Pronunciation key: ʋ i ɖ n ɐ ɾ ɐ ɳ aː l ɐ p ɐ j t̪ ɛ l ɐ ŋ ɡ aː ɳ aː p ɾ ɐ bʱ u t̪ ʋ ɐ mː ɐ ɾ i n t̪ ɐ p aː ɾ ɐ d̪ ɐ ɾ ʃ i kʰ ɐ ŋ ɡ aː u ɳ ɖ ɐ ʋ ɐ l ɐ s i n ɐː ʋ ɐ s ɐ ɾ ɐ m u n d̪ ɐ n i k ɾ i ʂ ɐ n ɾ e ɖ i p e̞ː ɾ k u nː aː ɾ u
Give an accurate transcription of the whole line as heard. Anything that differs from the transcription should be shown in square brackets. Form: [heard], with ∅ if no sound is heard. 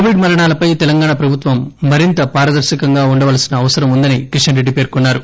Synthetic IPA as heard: ʋ i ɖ [m] ɐ ɾ ɐ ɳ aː l ɐ p ɐ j t̪ ɛ l ɐ ŋ ɡ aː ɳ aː p ɾ ɐ bʱ u t̪ ʋ ɐ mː ɐ ɾ i n t̪ ɐ p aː ɾ ɐ d̪ ɐ ɾ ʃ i [k] ɐ ŋ ɡ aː u ɳ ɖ ɐ ʋ ɐ l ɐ s i n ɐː ʋ ɐ s ɐ ɾ ɐ m u n d̪ ɐ n i k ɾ i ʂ ɐ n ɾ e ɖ i p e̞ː ɾ k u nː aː ɾ u